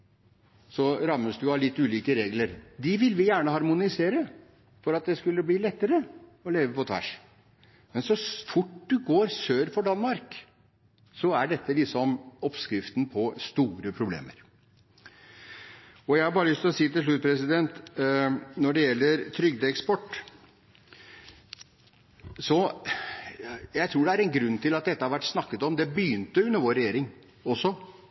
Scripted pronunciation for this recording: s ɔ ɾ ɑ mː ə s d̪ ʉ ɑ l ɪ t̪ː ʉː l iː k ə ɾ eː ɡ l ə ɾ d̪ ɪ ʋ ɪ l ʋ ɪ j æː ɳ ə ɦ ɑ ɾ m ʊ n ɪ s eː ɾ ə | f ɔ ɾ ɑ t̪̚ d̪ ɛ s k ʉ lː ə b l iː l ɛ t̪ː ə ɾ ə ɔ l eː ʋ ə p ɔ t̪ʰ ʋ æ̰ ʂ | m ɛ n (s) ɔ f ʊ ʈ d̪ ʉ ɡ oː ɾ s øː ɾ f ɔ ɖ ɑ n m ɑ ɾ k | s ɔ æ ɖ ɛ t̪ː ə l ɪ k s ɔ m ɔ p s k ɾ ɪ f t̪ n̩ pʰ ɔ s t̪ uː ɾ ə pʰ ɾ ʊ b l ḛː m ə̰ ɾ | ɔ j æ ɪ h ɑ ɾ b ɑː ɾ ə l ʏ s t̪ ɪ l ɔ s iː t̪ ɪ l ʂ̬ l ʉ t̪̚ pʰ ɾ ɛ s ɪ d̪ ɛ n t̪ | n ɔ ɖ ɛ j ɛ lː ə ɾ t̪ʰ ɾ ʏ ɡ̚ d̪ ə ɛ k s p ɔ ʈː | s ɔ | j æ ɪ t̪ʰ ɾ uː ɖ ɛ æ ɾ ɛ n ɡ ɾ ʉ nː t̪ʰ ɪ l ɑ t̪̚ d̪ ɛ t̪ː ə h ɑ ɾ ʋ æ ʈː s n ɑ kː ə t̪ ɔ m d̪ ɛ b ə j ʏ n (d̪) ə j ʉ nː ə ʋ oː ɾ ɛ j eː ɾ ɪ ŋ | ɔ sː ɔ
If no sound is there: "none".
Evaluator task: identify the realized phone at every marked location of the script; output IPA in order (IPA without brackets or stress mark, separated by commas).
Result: s, t̪